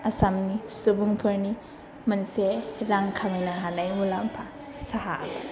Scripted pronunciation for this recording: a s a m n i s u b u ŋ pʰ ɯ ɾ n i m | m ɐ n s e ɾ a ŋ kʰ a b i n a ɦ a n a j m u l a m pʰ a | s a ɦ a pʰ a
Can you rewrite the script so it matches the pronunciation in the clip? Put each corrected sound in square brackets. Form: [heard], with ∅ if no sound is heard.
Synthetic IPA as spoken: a s a m n i s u b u ŋ pʰ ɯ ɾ n i [∅] | m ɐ n s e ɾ a ŋ kʰ a [m] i n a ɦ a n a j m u l a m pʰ a | s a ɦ a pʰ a